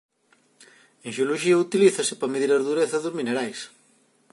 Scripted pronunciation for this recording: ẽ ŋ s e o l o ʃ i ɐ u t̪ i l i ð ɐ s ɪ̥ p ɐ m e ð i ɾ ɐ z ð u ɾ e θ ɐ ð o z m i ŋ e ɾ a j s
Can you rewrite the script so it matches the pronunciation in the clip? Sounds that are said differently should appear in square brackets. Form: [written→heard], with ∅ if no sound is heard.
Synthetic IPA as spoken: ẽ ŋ [s→ʃ] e o l o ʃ i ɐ u t̪ i l i [ð→θ] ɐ s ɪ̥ p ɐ m e ð i ɾ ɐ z ð u ɾ e θ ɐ ð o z m i [ŋ→n] e ɾ a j s